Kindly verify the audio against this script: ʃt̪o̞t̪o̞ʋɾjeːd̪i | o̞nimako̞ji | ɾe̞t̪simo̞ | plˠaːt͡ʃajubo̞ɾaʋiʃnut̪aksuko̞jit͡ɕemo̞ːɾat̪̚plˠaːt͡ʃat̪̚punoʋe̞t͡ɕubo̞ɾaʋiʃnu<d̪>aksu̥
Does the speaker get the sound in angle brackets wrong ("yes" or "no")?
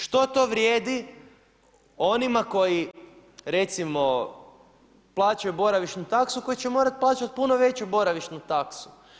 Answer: yes